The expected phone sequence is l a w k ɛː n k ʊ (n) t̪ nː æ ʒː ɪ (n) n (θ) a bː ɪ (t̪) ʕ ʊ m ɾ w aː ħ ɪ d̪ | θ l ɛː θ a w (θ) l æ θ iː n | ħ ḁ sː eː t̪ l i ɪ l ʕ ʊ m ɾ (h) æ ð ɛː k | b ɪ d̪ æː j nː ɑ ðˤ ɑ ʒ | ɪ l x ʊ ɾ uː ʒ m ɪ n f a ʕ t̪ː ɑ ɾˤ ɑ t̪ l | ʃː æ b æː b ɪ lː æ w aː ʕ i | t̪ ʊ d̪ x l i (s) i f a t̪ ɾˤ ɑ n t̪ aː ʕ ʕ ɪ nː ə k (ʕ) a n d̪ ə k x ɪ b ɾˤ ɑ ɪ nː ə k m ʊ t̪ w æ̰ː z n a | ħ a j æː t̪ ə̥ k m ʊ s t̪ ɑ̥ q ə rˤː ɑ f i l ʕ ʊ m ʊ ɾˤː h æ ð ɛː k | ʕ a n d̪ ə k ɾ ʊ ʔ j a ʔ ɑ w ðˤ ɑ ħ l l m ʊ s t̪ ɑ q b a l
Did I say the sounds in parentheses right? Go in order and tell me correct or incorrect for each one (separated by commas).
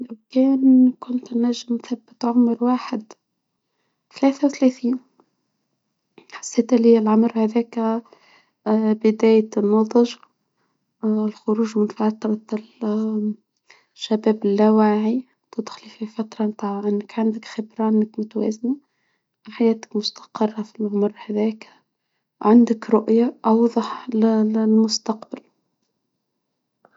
correct, incorrect, correct, correct, correct, correct, incorrect, correct